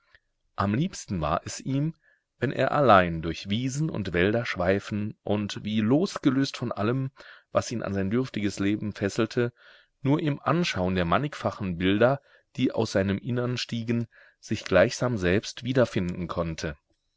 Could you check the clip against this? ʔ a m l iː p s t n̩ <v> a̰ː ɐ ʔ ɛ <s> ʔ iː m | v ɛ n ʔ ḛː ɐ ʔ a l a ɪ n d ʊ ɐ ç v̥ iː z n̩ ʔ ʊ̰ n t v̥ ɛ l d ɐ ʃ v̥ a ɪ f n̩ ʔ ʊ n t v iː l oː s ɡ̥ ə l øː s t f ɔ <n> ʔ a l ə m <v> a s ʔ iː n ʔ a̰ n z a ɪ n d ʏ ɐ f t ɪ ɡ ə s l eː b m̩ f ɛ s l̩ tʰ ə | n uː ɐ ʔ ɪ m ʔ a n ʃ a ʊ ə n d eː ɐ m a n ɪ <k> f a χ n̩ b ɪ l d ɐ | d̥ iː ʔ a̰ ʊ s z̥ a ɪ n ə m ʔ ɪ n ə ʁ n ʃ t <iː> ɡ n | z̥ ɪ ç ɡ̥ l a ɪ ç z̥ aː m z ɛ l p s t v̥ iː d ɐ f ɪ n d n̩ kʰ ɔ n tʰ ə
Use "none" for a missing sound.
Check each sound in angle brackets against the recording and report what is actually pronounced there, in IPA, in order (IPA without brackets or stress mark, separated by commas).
v, s, n, v, k, iː